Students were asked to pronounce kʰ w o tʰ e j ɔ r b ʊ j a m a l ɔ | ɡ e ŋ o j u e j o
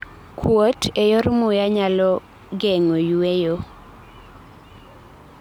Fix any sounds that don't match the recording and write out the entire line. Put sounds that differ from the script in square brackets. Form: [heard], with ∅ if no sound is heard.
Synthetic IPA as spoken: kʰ w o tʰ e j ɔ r [m] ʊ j a [ɲ] a l ɔ | ɡ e ŋ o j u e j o